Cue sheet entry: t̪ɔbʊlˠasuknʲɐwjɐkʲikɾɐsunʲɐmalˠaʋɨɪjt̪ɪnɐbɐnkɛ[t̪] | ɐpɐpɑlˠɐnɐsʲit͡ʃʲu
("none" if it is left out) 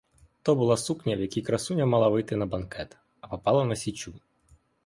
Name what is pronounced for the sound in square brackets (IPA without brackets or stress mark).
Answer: t̪